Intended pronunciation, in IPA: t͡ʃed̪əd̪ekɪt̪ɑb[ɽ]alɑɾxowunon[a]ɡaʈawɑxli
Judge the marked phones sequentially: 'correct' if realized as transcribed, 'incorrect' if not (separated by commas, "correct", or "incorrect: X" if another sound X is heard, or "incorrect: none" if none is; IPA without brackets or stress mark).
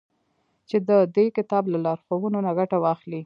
incorrect: l, correct